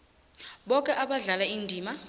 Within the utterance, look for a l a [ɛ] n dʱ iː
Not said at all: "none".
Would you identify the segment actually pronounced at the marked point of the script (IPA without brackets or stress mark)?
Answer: i